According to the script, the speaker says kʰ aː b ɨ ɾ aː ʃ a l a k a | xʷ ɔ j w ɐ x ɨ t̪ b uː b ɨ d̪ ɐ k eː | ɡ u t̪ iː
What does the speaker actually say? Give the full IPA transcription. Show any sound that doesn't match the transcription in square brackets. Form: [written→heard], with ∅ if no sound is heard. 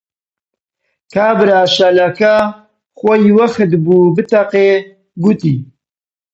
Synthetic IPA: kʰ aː b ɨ ɾ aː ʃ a l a k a | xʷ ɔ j w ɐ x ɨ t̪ b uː b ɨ [d̪→t̪] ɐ [k→q] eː | ɡ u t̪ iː

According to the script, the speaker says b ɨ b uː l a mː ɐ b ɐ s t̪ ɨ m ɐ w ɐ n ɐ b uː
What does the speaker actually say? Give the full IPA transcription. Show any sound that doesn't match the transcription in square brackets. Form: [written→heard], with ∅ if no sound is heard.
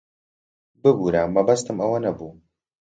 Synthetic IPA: b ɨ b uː [l→ɾ] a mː ɐ b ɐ s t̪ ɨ m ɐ w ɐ n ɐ b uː

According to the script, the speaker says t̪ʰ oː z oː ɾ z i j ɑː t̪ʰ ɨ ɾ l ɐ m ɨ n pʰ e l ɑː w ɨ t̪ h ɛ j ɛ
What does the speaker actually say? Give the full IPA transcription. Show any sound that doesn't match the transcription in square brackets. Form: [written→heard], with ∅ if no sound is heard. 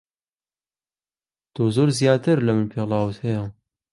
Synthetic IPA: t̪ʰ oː z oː ɾ z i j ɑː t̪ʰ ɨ ɾ l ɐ m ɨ n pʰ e l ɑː w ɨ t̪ h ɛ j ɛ

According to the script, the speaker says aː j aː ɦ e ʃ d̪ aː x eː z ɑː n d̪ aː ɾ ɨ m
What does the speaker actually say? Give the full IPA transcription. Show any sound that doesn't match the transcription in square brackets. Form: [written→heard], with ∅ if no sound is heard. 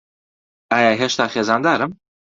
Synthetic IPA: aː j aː ɦ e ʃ [d̪→t̪] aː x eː z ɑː n d̪ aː ɾ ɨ m

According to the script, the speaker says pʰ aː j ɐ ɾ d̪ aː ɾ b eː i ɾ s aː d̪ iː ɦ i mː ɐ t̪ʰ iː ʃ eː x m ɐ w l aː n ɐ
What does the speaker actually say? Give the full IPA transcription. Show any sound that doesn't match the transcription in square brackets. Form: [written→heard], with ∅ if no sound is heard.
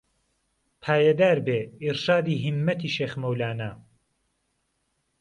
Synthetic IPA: pʰ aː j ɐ [ɾ→∅] d̪ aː ɾ b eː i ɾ [s→ʃ] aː d̪ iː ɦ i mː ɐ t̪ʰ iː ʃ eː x m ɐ w l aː n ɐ

